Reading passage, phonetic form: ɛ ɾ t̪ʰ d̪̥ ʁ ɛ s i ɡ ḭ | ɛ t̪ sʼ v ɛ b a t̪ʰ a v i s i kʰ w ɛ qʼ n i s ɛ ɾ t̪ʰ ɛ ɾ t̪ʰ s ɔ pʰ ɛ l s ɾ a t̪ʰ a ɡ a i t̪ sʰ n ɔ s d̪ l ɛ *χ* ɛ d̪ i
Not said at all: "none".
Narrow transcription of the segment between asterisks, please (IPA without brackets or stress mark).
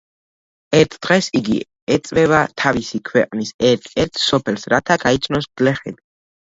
χ